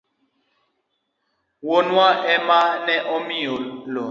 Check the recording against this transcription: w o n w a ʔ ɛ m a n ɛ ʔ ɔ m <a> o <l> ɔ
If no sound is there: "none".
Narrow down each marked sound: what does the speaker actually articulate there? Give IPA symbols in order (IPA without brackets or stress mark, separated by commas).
i, l